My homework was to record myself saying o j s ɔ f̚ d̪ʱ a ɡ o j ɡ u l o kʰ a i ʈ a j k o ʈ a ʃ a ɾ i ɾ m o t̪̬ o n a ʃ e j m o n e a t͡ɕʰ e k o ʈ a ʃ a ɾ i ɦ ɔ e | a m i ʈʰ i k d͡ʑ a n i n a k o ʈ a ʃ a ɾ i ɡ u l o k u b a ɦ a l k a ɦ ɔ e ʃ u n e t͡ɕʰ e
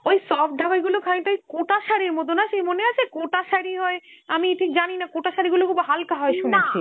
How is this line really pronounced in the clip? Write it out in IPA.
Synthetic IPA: o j s ɔ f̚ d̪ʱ a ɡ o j ɡ u l o kʰ a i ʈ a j k o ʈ a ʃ a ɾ i ɾ m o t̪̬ o n a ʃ e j m o n e a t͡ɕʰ e k o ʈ a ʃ a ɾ i ɦ ɔ e | a m i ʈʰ i k d͡ʑ a n i n a k o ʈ a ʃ a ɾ i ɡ u l o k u b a ɦ a l k a ɦ ɔ e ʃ u n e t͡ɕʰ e

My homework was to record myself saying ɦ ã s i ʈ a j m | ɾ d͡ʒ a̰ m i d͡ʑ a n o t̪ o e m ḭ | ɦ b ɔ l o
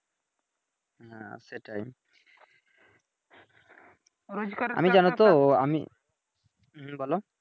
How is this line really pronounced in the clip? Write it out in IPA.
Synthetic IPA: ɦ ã s e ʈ a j m | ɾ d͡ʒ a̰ m i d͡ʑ a n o t̪ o a m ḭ | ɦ b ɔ l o

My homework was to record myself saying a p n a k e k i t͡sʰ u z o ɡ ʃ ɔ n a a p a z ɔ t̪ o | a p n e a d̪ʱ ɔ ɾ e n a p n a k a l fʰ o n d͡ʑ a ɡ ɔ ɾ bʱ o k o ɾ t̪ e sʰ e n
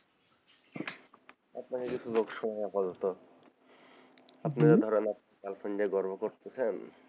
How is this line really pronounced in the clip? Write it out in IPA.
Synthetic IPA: a p n a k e k i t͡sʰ u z o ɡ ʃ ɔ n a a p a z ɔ t̪ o | a p n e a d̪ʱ ɔ ɾ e n a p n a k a l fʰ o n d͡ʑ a ɡ ɔ ɾ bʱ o k o ɾ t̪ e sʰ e n

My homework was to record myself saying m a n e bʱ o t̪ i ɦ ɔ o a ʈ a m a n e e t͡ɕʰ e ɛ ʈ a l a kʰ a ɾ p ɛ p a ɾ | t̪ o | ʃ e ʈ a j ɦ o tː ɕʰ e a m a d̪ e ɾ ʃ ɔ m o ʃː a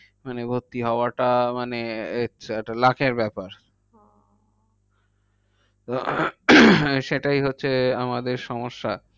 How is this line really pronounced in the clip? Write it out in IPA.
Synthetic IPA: m a n e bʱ o t̪ i ɦ ɔ o a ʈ a m a n e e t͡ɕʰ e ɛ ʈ a l a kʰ e ɾ b ɛ p a ɾ | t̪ o | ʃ e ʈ a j ɦ o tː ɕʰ e a m a d̪ e ɾ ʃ ɔ m o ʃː a

